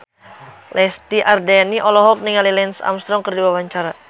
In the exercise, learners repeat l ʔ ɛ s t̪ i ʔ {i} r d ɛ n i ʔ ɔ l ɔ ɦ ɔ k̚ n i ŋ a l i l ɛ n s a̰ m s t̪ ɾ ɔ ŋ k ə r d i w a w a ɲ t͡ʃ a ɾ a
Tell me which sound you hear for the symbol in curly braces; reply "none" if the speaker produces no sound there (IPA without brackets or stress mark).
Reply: a